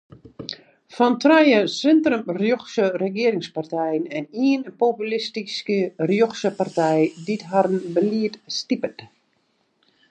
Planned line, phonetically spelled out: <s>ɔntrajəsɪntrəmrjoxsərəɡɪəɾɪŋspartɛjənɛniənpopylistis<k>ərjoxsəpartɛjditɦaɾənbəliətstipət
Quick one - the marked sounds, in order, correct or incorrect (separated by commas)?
incorrect, correct